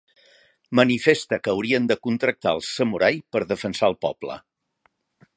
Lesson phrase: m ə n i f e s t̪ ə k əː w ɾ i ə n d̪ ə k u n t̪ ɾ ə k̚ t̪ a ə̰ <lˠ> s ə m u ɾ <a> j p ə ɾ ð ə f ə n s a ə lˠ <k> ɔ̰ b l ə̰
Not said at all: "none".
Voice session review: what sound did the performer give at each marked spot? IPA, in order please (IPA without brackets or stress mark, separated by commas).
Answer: lˠ, a, p